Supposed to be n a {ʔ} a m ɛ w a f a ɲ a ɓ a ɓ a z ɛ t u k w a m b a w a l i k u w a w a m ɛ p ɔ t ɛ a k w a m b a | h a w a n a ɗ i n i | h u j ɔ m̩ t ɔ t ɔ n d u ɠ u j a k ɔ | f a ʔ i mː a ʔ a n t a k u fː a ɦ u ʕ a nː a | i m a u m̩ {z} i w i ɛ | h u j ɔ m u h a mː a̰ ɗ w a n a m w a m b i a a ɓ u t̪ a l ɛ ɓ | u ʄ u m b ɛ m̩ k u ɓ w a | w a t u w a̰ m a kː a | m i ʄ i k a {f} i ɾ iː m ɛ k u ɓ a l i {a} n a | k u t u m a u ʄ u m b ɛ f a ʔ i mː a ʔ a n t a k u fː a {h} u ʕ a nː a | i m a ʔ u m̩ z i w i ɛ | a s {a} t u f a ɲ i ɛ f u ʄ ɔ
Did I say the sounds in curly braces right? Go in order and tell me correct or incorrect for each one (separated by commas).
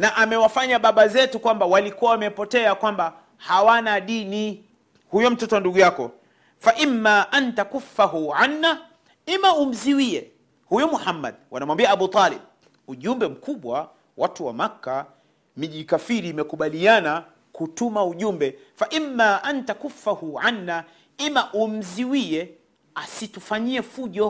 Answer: correct, correct, correct, correct, correct, incorrect